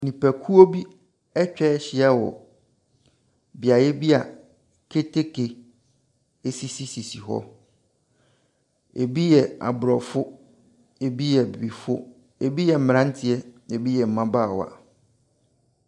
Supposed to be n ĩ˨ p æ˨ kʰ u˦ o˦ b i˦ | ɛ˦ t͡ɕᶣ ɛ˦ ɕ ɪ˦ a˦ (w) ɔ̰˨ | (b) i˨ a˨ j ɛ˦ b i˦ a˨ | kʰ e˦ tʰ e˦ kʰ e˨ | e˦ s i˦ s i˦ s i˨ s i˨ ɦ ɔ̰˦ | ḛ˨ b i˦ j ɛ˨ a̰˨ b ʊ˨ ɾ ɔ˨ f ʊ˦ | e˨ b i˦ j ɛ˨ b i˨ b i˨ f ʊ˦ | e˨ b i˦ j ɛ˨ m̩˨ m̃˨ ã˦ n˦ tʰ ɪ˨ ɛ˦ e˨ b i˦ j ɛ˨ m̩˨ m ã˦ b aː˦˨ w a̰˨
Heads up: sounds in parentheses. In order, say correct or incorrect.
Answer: correct, correct

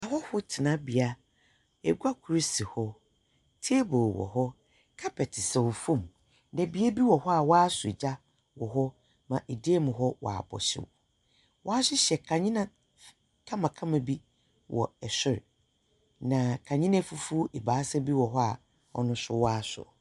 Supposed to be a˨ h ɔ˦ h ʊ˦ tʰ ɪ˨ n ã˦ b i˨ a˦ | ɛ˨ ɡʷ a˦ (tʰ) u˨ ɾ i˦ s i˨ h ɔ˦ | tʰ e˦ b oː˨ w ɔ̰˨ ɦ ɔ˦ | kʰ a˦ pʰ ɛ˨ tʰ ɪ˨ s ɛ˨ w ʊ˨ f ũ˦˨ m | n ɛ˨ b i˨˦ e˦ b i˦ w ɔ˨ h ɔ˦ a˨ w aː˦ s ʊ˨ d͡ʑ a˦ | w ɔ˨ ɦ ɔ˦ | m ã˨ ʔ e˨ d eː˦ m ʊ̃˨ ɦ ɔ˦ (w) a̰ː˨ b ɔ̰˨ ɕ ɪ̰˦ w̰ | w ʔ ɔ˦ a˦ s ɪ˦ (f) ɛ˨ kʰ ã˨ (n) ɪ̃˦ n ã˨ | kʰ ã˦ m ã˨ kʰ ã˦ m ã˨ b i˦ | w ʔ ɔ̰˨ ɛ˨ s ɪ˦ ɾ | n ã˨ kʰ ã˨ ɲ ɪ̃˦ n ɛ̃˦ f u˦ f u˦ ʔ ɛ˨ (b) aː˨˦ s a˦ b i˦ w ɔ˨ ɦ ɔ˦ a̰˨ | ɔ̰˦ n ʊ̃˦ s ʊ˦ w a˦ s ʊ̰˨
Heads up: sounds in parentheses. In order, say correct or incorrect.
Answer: incorrect: kʰ, correct, incorrect: ɕ, incorrect: ɲ, correct

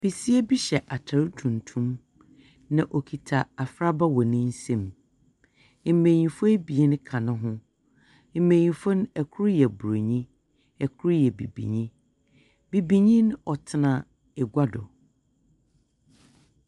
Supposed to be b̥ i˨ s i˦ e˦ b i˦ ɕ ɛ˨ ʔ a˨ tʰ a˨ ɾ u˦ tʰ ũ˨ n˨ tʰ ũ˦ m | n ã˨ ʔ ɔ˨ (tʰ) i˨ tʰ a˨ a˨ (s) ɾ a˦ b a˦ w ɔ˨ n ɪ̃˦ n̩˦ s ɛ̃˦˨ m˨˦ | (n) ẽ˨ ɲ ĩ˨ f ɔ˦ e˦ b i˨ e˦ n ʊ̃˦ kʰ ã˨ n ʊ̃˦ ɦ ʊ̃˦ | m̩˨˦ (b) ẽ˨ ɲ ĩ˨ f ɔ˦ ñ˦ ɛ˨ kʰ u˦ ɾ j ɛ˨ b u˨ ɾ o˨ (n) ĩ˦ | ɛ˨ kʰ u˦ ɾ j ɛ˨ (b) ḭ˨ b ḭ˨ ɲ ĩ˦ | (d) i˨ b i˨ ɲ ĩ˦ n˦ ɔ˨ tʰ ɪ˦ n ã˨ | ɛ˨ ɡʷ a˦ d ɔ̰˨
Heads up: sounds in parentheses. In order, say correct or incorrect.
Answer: incorrect: kʰ, incorrect: f, incorrect: m, incorrect: m, incorrect: ɲ, correct, incorrect: b

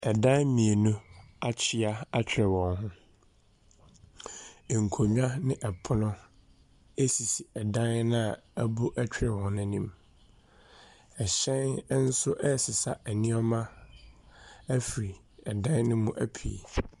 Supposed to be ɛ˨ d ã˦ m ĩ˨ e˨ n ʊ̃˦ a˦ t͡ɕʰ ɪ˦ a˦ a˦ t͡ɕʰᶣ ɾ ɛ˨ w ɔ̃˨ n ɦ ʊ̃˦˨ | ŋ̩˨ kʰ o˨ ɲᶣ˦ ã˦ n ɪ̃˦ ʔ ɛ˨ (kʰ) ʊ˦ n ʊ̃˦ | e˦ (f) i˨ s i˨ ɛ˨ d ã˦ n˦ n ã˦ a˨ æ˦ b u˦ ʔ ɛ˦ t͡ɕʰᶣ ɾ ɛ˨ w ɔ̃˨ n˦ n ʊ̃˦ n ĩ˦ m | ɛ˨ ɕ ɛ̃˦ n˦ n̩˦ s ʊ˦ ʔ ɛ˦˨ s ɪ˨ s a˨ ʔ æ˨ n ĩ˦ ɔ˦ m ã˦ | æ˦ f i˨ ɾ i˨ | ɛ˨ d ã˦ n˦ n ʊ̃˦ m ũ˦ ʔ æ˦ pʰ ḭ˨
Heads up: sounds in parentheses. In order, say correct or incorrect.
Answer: incorrect: pʰ, incorrect: s

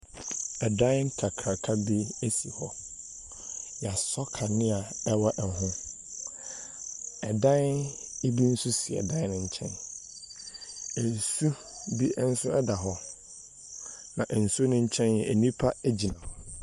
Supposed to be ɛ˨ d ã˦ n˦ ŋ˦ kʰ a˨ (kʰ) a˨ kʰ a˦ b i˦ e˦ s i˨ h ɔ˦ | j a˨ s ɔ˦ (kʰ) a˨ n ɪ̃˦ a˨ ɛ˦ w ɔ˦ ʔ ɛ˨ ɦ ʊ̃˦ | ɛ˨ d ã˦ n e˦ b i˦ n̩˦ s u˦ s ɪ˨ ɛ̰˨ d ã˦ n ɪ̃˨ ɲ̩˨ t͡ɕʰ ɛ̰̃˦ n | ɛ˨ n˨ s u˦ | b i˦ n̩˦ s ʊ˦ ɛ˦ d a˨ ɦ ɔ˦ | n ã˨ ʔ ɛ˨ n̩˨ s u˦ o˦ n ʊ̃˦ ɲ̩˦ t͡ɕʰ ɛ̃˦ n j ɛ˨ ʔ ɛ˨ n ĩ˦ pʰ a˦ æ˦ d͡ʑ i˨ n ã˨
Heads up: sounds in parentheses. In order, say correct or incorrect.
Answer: correct, correct

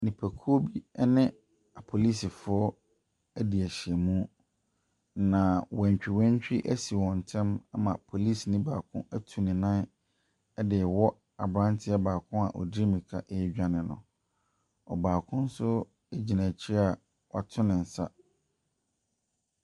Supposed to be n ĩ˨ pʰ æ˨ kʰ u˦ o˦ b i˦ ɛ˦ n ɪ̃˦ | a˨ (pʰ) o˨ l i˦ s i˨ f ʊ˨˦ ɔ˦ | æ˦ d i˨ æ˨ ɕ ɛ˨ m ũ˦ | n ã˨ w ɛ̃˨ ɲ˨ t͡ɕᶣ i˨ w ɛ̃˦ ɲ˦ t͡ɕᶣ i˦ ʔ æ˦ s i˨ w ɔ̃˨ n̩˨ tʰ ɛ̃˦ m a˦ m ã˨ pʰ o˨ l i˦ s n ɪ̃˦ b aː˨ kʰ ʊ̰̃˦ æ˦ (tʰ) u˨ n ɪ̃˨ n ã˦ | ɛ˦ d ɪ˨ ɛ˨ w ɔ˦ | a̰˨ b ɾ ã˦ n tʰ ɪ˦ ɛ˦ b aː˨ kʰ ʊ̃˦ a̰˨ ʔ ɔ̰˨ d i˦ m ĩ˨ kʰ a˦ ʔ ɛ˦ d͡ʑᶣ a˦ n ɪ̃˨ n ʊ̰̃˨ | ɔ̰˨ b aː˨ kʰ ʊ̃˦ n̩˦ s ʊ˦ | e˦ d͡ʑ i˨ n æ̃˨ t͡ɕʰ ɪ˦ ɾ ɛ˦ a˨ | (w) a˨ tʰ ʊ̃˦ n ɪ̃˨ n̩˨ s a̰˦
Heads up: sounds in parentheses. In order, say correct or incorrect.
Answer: correct, correct, correct

